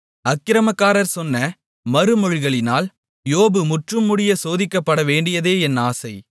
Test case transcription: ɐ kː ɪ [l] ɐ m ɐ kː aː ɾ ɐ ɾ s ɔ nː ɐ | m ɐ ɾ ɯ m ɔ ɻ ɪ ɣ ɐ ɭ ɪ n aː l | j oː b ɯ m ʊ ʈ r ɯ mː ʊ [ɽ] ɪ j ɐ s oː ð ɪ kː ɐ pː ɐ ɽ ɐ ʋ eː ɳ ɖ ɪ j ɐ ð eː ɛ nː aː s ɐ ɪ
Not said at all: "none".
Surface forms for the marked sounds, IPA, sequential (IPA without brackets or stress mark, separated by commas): ɾ, ɽ